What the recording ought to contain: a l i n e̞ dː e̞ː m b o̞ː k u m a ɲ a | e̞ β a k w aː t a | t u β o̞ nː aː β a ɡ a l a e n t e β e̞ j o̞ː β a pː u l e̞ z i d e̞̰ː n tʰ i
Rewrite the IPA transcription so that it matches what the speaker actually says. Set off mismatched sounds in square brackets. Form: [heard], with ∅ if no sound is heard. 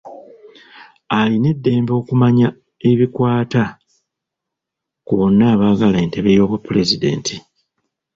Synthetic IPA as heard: a l i n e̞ dː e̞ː m b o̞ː k u m a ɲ a | e̞ β [i] k w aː t a | [k] u β o̞ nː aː β a ɡ a l a e n t e β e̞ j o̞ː β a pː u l e̞ z i d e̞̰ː n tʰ i